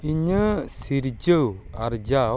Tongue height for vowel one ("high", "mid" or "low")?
high